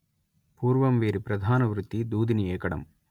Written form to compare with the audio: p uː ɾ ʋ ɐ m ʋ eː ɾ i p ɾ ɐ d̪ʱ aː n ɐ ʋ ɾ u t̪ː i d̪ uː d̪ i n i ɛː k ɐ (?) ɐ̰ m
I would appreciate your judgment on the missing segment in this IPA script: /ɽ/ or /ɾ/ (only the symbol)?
ɽ